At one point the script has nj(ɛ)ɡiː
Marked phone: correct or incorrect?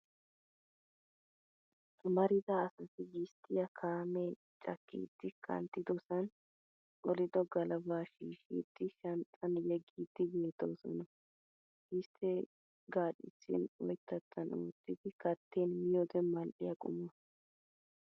correct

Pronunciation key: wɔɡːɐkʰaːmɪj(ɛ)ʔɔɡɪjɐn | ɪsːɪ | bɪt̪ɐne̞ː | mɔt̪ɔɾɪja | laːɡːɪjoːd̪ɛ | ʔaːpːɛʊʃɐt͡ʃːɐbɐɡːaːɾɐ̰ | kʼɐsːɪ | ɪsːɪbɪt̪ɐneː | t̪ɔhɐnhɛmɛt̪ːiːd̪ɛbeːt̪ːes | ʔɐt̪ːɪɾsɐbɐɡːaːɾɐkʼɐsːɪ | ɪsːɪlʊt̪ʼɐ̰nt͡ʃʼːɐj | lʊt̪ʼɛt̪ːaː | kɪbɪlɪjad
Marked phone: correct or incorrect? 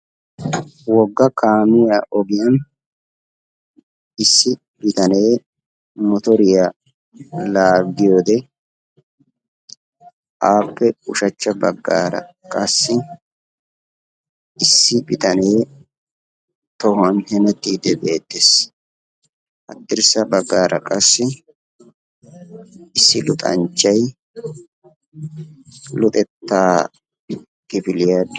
incorrect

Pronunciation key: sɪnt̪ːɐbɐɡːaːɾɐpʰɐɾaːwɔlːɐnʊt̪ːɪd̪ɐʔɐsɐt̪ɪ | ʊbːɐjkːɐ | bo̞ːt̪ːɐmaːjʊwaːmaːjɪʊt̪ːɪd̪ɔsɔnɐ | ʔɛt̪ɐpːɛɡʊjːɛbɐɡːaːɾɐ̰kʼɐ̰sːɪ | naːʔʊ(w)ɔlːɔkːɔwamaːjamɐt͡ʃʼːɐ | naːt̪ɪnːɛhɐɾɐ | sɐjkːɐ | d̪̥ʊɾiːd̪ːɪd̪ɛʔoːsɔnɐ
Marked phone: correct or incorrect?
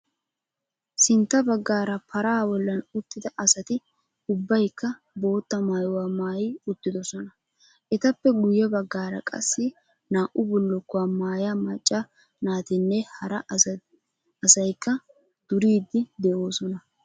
incorrect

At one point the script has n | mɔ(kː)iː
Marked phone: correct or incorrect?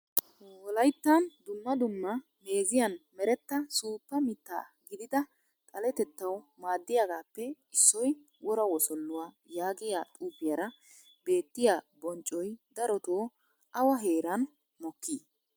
correct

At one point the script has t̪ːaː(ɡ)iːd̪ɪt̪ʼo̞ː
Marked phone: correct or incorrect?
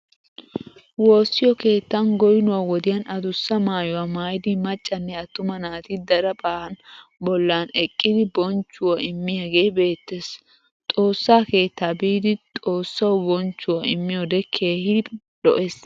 incorrect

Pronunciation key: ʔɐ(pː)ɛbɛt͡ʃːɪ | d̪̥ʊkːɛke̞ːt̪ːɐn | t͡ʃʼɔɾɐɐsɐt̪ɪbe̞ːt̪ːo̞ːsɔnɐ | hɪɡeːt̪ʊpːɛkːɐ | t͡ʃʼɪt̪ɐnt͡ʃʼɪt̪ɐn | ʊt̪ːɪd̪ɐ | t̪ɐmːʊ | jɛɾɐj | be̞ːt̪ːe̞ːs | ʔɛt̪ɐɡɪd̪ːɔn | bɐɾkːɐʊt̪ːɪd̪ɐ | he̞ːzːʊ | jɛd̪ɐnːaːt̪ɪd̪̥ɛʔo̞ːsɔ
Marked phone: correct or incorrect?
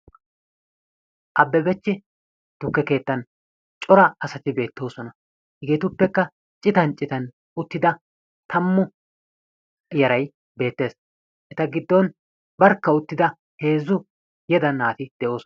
incorrect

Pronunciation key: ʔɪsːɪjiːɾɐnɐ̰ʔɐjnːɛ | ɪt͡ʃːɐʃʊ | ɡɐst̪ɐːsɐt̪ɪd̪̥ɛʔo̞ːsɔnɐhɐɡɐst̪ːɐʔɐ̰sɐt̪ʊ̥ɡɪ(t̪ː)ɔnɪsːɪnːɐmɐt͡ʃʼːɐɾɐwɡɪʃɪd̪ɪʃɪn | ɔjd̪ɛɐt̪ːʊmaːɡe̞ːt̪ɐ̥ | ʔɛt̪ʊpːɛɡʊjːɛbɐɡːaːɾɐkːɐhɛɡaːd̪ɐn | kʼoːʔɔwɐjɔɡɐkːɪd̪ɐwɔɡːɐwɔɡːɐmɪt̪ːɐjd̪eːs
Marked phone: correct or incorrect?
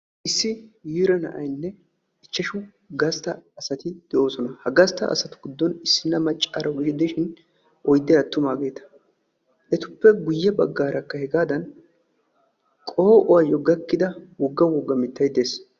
incorrect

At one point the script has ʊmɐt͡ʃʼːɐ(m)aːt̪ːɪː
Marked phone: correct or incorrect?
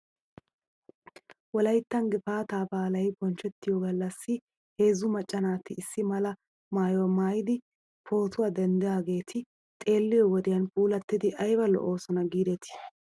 incorrect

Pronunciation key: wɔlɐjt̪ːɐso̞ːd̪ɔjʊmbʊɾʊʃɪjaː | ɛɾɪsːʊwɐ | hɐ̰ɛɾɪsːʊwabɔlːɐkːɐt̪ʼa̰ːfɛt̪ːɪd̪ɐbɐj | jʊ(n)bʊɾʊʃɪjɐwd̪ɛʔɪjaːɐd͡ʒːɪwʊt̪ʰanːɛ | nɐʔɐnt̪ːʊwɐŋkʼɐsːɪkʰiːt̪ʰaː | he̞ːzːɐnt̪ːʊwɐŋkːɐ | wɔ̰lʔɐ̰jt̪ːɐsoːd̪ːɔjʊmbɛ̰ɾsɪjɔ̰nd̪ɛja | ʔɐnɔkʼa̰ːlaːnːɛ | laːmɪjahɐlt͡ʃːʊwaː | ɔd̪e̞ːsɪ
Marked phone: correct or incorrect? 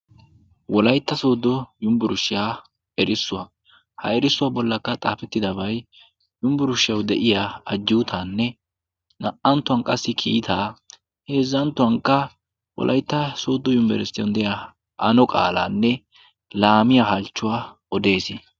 incorrect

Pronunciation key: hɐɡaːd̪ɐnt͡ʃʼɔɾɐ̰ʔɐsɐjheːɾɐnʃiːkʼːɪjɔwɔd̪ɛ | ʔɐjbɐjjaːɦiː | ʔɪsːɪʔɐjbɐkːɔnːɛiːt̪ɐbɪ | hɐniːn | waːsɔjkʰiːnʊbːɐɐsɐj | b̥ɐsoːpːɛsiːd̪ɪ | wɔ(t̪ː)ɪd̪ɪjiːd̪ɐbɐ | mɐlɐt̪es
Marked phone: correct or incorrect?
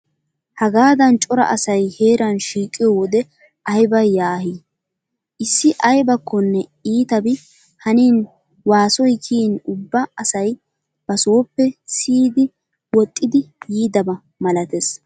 incorrect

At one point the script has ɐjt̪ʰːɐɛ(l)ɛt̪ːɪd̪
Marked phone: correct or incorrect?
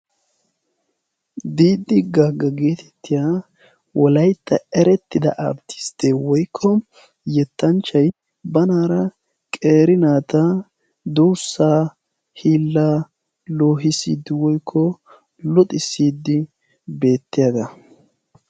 incorrect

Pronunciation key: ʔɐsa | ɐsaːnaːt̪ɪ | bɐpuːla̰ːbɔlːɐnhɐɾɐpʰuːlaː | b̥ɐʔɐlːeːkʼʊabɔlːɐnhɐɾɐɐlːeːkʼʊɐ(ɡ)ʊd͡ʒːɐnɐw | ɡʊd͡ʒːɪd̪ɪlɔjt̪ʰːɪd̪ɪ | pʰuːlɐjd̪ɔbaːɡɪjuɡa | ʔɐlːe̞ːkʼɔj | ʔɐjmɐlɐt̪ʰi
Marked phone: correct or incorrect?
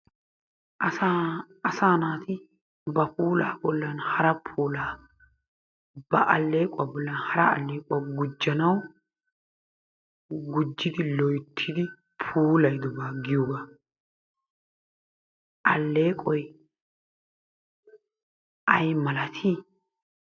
correct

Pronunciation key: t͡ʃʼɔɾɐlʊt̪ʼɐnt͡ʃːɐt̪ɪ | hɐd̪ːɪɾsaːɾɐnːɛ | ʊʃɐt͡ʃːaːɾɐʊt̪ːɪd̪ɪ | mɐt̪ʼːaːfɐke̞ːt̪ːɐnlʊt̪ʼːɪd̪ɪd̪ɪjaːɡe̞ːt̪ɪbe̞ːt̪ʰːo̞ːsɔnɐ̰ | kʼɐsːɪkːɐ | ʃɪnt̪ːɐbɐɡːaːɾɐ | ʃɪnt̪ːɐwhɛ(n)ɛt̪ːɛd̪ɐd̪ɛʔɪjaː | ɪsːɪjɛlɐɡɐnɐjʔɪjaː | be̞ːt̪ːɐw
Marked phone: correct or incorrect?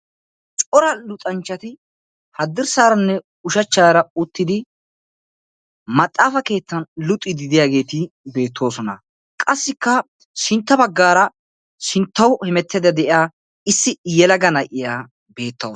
incorrect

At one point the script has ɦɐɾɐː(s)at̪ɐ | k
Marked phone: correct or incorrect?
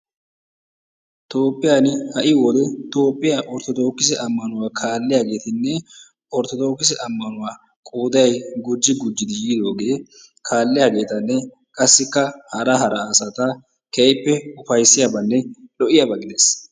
correct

